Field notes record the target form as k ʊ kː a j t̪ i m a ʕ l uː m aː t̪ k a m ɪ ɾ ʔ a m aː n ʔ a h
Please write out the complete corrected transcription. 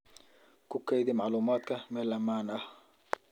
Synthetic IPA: k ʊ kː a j d̪ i m a ʕ l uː m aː t̪ k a m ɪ l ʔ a m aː n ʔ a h